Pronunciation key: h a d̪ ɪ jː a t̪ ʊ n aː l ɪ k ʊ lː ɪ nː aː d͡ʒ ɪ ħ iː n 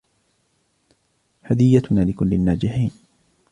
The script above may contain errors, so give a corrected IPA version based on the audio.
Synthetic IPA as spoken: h a d̪ ɪ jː a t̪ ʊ n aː l ɪ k ʊ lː ɪ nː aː d͡ʒ ɪ ħ iː n